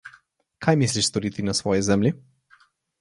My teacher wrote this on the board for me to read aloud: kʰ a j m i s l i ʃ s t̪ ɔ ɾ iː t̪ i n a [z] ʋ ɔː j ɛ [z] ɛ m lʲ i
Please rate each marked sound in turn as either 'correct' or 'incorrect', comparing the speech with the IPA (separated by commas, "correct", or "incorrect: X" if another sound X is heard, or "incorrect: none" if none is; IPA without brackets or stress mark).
incorrect: s, correct